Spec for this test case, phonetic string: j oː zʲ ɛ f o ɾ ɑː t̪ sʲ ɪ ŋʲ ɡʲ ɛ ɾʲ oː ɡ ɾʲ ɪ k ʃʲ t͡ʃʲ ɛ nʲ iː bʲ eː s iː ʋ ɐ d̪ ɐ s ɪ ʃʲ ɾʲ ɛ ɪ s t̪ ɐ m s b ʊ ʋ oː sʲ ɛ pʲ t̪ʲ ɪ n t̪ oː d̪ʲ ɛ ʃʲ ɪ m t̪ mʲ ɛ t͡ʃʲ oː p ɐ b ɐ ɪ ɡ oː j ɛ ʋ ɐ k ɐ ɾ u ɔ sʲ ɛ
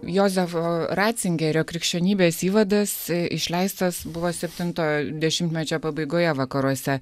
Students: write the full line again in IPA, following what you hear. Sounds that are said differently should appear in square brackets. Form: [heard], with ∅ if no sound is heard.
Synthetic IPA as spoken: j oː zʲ ɛ f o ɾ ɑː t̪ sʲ ɪ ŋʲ ɡʲ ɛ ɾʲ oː [k] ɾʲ ɪ k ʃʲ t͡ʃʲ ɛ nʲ iː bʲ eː s iː ʋ ɐ d̪ ɐ s ɪ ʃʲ [lʲ] ɛ ɪ s t̪ ɐ [∅] s b ʊ ʋ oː sʲ ɛ pʲ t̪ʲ ɪ n t̪ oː d̪ʲ ɛ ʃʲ ɪ m t̪ mʲ ɛ t͡ʃʲ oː p ɐ b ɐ ɪ ɡ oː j ɛ ʋ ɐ k ɐ ɾ u ɔ sʲ ɛ

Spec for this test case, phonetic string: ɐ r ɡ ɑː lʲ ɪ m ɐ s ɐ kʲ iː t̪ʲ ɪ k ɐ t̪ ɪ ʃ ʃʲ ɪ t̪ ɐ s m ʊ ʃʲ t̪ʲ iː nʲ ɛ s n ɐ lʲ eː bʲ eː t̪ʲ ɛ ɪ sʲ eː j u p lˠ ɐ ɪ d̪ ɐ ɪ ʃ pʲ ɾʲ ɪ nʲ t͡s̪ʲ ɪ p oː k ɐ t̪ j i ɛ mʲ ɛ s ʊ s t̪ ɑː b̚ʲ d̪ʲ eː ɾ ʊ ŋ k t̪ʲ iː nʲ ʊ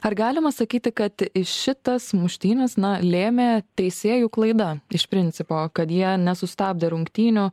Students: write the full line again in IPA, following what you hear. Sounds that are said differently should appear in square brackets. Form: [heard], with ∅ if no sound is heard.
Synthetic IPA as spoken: ɐ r ɡ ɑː lʲ ɪ m ɐ s ɐ kʲ iː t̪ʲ ɪ k ɐ t̪ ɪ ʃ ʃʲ ɪ t̪ ɐ s m ʊ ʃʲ t̪ʲ iː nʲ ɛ s n ɐ lʲ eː [mʲ] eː t̪ʲ ɛ ɪ sʲ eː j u [k] lˠ ɐ ɪ d̪ ɐ ɪ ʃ pʲ ɾʲ ɪ nʲ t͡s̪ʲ ɪ p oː k ɐ t̪ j i ɛ [nʲ] ɛ s ʊ s t̪ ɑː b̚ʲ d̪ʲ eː ɾ ʊ ŋ k t̪ʲ iː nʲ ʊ

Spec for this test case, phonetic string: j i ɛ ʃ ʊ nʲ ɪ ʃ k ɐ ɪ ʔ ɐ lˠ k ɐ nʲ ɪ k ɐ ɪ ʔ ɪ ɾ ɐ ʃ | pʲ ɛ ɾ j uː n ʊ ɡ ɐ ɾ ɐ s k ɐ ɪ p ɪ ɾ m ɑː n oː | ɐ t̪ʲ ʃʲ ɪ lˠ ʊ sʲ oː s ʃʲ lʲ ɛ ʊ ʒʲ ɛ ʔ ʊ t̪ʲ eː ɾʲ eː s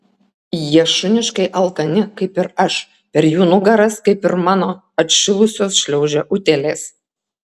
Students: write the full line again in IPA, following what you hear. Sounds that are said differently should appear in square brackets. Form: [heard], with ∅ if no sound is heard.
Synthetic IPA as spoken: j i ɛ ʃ ʊ nʲ ɪ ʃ k ɐ ɪ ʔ ɐ lˠ k ɐ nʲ ɪ k ɐ ɪ [p] ɪ ɾ ɐ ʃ | pʲ ɛ ɾ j uː n ʊ ɡ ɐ ɾ ɐ s k ɐ ɪ p ɪ ɾ m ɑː n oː | ɐ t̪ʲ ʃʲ ɪ lˠ ʊ sʲ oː s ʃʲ lʲ ɛ ʊ ʒʲ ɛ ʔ ʊ t̪ʲ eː [lʲ] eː s

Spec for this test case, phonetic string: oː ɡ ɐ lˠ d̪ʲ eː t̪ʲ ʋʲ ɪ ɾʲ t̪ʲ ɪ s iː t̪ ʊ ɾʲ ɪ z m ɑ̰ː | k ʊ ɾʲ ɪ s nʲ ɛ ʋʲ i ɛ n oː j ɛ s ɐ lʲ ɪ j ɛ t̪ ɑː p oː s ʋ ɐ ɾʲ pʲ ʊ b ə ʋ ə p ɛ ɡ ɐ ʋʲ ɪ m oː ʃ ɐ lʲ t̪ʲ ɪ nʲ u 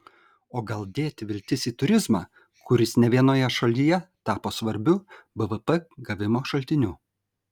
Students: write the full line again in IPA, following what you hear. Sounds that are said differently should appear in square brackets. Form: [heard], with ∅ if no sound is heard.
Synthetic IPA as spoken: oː ɡ ɐ lˠ d̪ʲ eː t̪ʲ ʋʲ ɪ [lʲ] t̪ʲ ɪ s iː t̪ ʊ ɾʲ ɪ z m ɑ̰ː | k ʊ ɾʲ ɪ s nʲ ɛ ʋʲ i ɛ n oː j ɛ [ʃ] ɐ lʲ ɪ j ɛ t̪ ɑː p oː s ʋ ɐ ɾʲ [bʲ] ʊ b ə ʋ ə p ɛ ɡ ɐ ʋʲ ɪ m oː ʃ ɐ lʲ t̪ʲ ɪ nʲ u

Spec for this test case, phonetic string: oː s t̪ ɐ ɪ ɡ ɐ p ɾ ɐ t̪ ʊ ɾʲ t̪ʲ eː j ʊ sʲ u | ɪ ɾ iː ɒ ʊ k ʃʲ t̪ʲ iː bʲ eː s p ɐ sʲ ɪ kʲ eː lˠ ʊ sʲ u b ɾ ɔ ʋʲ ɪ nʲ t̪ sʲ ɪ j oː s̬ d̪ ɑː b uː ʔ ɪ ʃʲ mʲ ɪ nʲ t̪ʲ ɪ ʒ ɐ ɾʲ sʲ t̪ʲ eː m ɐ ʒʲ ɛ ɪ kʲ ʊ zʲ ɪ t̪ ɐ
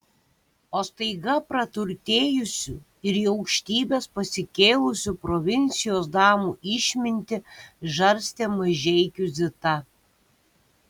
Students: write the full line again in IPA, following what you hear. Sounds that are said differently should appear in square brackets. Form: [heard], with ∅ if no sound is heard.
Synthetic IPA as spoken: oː s t̪ ɐ ɪ ɡ ɐ p ɾ ɐ t̪ ʊ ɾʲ t̪ʲ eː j ʊ sʲ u | ɪ ɾ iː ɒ ʊ k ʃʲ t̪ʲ iː bʲ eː s p ɐ sʲ ɪ kʲ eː lˠ ʊ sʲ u [p] ɾ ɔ ʋʲ ɪ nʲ t̪ sʲ ɪ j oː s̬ d̪ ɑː [m] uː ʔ ɪ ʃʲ mʲ ɪ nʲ t̪ʲ ɪ ʒ ɐ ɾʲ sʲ t̪ʲ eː m ɐ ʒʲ ɛ ɪ kʲ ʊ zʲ ɪ t̪ ɐ

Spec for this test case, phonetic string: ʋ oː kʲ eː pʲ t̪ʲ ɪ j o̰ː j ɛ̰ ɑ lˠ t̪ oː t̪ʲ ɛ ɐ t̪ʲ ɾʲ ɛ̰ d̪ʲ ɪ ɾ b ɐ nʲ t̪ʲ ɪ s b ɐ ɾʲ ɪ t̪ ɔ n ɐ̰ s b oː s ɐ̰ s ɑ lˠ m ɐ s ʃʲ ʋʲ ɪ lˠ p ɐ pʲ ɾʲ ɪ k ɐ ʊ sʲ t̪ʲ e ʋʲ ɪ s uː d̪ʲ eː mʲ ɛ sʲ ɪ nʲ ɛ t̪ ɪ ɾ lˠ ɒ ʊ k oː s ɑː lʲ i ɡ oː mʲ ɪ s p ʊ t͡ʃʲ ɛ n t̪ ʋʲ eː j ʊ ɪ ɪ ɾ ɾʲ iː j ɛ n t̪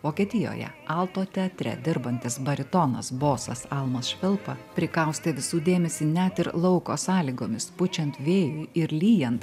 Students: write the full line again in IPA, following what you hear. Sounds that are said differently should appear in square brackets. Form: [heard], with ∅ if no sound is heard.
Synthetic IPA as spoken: ʋ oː kʲ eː [∅] t̪ʲ ɪ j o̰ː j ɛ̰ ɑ lˠ t̪ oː t̪ʲ ɛ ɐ t̪ʲ ɾʲ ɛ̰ d̪ʲ ɪ ɾ b ɐ nʲ t̪ʲ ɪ s b ɐ ɾʲ ɪ t̪ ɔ n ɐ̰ s b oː s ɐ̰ s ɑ lˠ m ɐ s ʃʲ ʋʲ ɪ lˠ p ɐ pʲ ɾʲ ɪ k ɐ ʊ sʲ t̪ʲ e ʋʲ ɪ s uː d̪ʲ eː mʲ ɛ sʲ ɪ nʲ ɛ t̪ ɪ ɾ lˠ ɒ ʊ k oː s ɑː lʲ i ɡ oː mʲ ɪ s p ʊ t͡ʃʲ ɛ n t̪ ʋʲ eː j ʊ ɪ ɪ ɾ [lʲ] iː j ɛ n t̪

